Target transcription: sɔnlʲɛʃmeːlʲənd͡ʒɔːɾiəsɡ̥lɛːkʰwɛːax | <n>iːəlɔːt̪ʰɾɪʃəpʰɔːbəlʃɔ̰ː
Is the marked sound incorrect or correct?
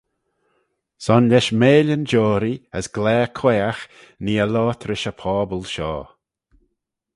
correct